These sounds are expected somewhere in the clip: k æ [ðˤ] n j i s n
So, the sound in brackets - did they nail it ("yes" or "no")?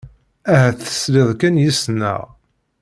no